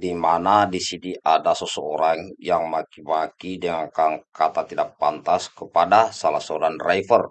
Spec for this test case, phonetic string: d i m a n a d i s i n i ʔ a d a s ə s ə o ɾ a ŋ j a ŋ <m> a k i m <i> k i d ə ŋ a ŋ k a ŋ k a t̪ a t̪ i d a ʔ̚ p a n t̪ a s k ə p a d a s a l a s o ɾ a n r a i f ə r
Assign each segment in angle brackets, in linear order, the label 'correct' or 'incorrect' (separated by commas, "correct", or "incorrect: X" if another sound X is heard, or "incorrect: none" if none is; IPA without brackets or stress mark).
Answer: correct, incorrect: a